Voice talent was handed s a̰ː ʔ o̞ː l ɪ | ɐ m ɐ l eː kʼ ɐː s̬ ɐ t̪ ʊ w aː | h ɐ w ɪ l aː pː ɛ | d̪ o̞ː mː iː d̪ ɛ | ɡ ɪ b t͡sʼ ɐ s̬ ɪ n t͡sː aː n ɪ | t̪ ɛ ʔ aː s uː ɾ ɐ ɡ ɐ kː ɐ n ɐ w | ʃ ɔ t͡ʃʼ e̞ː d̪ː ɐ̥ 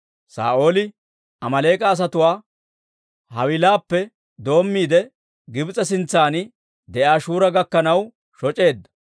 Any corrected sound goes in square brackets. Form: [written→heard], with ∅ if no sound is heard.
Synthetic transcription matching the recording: s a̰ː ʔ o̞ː l ɪ | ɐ m ɐ l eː kʼ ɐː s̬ ɐ t̪ ʊ w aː | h ɐ w ɪ l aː pː ɛ | d̪ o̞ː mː iː d̪ ɛ | ɡ ɪ b t͡sʼ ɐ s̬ ɪ n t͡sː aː n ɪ | [t̪→d̪] ɛ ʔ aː [s→ʃ] uː ɾ ɐ ɡ ɐ kː ɐ n ɐ w | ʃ ɔ t͡ʃʼ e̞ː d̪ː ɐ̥

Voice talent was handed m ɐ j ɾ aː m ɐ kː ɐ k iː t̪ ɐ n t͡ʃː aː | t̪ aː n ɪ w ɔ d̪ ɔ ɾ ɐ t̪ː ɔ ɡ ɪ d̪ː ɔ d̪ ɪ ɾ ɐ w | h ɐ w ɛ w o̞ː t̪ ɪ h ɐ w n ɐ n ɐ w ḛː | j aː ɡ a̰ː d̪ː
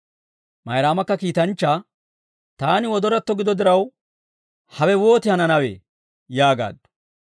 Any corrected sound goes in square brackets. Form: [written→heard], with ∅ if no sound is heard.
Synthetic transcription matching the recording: m ɐ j ɾ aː m ɐ kː ɐ k iː t̪ ɐ n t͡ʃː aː | t̪ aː n ɪ w ɔ d̪ ɔ ɾ ɐ t̪ː ɔ ɡ ɪ [d̪ː→d̪] ɔ d̪ ɪ ɾ ɐ w | h ɐ w ɛ w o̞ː t̪ ɪ h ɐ [w→∅] n ɐ n ɐ w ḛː | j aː ɡ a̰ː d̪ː

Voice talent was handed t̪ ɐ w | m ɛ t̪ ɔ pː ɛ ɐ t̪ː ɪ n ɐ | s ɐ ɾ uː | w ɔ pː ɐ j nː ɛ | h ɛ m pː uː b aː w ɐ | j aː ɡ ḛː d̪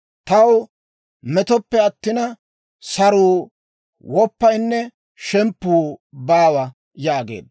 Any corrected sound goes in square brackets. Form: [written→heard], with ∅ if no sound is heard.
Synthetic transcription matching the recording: t̪ ɐ w | m ɛ t̪ ɔ pː ɛ ɐ t̪ː ɪ n ɐ | s ɐ ɾ uː | w ɔ pː ɐ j nː ɛ | [h→ʃ] ɛ m pː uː b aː w ɐ | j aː ɡ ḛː d̪

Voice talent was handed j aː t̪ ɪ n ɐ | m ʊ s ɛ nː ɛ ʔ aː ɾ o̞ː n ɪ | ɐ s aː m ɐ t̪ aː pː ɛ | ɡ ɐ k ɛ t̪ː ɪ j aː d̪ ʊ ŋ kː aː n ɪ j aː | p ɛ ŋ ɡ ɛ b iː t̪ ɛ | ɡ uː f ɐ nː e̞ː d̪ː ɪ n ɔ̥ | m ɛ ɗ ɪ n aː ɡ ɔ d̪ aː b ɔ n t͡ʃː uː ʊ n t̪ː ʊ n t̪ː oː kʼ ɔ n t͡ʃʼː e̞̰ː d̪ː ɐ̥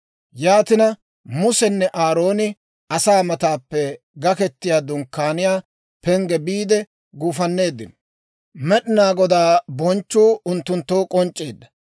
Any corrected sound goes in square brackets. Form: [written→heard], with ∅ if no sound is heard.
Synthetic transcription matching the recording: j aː t̪ ɪ n ɐ | m ʊ s ɛ nː ɛ ʔ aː ɾ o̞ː n ɪ | ɐ s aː m ɐ t̪ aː pː ɛ | ɡ ɐ k ɛ t̪ː ɪ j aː d̪ ʊ ŋ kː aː n ɪ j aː | p ɛ ŋ ɡ ɛ b iː [t̪→d̪] ɛ | ɡ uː f ɐ nː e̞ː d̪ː ɪ n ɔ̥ | m ɛ ɗ ɪ n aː ɡ ɔ d̪ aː b ɔ n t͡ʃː uː ʊ n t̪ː ʊ n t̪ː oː kʼ ɔ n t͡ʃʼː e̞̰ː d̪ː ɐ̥

